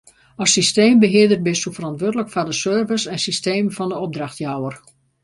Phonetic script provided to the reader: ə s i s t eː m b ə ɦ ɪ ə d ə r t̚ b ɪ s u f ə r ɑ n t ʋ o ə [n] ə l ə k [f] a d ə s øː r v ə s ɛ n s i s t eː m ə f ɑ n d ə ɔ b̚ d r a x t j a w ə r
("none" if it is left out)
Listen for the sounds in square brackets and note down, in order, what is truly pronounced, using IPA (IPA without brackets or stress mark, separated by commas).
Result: d, f